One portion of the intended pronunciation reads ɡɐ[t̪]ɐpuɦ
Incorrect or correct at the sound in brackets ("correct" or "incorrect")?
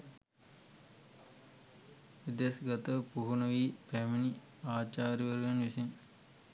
correct